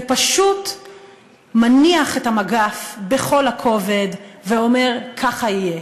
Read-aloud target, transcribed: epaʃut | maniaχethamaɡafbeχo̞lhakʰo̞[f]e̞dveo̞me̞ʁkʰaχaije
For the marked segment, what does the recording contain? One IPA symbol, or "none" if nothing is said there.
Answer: v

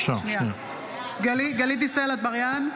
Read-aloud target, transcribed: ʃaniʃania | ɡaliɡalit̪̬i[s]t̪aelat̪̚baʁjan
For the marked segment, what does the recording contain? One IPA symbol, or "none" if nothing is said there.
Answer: s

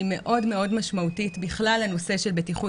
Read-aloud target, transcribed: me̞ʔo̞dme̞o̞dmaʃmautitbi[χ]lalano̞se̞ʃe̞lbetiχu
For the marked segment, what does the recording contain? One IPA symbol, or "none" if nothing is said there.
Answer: χ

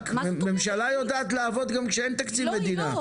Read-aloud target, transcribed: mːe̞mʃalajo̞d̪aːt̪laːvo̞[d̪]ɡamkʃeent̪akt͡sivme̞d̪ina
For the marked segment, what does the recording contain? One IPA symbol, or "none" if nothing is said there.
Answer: d̪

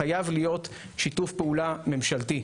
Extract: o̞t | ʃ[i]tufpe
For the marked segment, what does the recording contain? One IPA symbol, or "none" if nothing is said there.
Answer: i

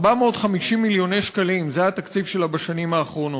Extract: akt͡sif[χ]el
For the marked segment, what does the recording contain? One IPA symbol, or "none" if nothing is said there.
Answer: ʃ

